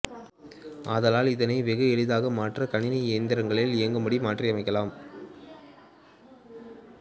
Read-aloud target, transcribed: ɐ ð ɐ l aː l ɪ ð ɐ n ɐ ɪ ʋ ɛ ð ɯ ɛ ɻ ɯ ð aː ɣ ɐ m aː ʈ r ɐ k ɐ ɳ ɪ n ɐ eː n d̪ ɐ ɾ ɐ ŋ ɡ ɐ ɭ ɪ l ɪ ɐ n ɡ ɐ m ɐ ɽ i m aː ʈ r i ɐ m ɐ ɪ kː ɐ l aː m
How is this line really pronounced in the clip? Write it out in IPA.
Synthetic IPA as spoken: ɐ ð ɐ l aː l ɪ ð ɐ n ɐ ɪ ʋ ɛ ɣ ɯ ɛ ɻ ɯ ð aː ɣ ɐ m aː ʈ r ɐ k ɐ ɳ ɪ n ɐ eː n d̪ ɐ ɾ ɐ ŋ ɡ ɐ ɭ ɪ l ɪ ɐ ŋ ɡ ɐ m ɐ ɽ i m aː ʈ r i ɐ m ɐ ɪ kː ɐ l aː m